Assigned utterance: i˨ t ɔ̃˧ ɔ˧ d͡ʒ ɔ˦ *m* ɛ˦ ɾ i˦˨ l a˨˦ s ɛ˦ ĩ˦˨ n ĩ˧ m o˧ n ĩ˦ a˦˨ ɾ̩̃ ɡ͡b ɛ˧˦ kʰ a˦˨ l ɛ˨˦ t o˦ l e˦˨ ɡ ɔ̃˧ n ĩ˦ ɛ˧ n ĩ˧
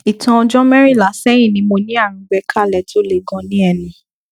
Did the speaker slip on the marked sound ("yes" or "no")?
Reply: no